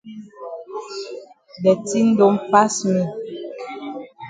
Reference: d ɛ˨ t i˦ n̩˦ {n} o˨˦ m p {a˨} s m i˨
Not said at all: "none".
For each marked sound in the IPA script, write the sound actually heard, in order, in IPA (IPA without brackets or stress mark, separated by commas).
d, a˦